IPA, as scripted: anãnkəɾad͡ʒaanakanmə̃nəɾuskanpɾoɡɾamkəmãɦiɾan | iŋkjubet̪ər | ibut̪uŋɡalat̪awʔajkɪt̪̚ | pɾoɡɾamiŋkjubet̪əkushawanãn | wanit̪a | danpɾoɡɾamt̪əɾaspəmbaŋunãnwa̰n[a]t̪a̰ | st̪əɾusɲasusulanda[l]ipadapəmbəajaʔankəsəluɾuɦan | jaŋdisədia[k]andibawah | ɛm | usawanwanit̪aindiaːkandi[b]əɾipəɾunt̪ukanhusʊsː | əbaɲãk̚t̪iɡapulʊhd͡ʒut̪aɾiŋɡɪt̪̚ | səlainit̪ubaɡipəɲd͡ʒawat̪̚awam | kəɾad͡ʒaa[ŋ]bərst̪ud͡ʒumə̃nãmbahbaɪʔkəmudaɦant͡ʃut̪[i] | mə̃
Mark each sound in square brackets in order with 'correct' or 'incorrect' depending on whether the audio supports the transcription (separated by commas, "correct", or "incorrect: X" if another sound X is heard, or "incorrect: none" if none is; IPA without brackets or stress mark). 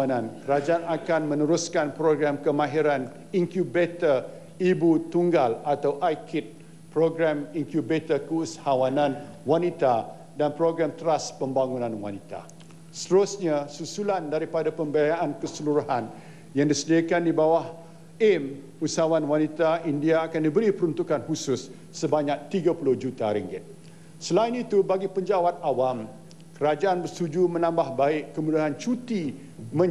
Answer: incorrect: i, incorrect: ɾ, correct, correct, incorrect: n, correct